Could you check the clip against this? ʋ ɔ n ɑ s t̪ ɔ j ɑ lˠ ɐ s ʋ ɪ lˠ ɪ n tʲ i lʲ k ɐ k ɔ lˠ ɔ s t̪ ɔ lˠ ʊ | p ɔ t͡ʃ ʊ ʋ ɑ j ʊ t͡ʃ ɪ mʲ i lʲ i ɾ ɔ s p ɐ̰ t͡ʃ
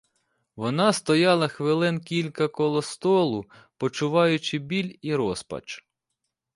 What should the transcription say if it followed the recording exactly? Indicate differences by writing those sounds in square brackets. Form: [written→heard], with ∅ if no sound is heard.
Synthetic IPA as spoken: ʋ ɔ n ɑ s t̪ ɔ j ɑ lˠ ɐ [s→x] ʋ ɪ lˠ ɪ n [tʲ→kʲ] i lʲ k ɐ k ɔ lˠ ɔ s t̪ ɔ lˠ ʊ | p ɔ t͡ʃ ʊ ʋ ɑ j ʊ t͡ʃ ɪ [mʲ→bʲ] i lʲ i ɾ ɔ s p ɐ̰ t͡ʃ